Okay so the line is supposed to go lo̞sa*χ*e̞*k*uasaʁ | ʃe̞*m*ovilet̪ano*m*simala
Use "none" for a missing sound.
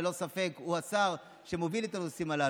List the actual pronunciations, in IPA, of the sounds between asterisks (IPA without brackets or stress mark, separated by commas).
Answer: f, k, m, none